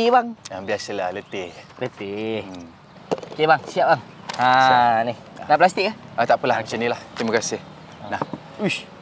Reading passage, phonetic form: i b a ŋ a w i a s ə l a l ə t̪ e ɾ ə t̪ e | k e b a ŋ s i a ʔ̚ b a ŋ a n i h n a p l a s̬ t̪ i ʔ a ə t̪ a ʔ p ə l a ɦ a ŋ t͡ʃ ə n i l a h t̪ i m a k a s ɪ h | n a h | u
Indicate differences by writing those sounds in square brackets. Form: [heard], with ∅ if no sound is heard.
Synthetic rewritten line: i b a ŋ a [b] i a s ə l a l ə t̪ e [l] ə t̪ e | k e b a ŋ s i a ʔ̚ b a ŋ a n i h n a p l a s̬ t̪ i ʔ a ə t̪ a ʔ p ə l a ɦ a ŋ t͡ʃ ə n i l a h t̪ i m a k a s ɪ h | n a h | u